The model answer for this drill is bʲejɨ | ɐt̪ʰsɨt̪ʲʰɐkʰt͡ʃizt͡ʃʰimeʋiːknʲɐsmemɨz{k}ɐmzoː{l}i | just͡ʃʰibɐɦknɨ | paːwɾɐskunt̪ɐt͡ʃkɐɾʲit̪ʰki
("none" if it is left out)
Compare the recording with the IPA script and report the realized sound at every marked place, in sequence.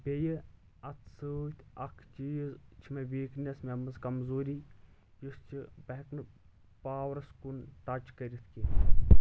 k, ɾ

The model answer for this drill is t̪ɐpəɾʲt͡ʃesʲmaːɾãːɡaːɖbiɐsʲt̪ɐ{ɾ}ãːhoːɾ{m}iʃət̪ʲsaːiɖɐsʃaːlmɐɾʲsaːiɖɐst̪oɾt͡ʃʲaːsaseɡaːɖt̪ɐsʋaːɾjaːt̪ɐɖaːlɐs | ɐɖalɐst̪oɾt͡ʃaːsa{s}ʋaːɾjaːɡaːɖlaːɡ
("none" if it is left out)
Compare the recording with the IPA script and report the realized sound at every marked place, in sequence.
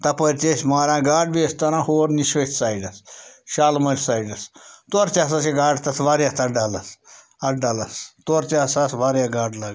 ɾ, n, s

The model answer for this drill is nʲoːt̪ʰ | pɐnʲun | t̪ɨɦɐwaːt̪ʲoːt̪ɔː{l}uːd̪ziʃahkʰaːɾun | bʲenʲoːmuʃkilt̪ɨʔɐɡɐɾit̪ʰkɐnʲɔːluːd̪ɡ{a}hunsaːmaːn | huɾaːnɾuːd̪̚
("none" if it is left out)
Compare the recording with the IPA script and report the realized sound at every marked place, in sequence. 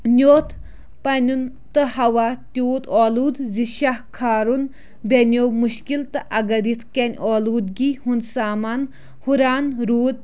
l, i

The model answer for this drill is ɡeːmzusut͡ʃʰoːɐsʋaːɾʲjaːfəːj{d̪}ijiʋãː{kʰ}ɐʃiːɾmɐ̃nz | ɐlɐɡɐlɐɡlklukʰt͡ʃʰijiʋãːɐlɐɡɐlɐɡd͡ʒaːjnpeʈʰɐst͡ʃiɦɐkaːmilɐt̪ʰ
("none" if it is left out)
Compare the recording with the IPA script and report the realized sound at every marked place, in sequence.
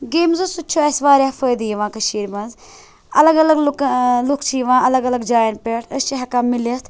d̪, k

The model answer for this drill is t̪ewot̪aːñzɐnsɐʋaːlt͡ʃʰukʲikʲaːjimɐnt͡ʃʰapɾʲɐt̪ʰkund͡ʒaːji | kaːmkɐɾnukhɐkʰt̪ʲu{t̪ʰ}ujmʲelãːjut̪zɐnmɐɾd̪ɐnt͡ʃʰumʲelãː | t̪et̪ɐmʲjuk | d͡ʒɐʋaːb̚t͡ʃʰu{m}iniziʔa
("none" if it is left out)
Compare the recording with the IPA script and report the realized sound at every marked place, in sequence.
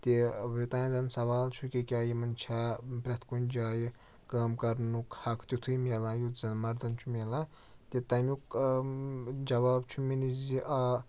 t̪ʰ, m

